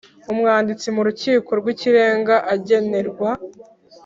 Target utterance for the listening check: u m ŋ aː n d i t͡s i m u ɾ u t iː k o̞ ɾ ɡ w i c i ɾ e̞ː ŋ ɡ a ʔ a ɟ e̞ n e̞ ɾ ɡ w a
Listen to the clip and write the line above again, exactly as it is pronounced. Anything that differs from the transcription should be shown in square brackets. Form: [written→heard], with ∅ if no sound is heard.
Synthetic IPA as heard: u m ŋ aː n d i t͡s i m u ɾ u [t→c] iː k o̞ ɾ ɡ w i c i ɾ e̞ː ŋ ɡ a ʔ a ɟ e̞ n e̞ ɾ ɡ w a